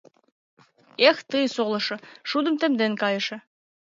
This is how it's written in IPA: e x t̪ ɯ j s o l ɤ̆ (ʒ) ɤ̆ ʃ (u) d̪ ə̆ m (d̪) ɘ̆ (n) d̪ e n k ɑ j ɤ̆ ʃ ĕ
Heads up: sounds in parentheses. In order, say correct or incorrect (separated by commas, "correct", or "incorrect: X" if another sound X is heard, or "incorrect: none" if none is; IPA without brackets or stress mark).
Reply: incorrect: ʃ, correct, incorrect: t̪, incorrect: m